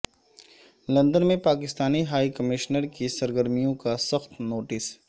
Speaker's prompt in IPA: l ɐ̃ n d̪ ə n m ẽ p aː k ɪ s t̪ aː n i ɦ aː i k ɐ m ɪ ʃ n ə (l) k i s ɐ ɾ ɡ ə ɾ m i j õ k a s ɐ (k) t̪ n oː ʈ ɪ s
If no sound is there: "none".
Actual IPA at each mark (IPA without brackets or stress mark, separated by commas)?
ɾ, x